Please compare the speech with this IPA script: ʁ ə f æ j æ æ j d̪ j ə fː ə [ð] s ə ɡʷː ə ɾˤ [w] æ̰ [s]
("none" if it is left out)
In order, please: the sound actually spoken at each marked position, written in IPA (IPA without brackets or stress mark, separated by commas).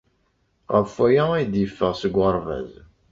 ʁ, v, z